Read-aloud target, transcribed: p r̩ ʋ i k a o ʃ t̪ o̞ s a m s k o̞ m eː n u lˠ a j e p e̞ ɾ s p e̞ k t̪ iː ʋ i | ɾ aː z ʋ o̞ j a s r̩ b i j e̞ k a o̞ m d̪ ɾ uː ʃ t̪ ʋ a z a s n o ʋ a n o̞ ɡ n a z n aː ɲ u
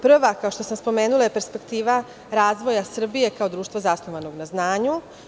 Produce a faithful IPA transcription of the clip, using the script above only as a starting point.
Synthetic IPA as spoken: p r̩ ʋ a k a o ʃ t̪ o̞ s a m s p o̞ m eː n u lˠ a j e p e̞ ɾ s p e̞ k t̪ iː ʋ a | ɾ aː z ʋ o̞ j a s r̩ b i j e̞ k a o̞ d̪ ɾ uː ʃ t̪ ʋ a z a s n o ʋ a n o̞ ɡ n a z n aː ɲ u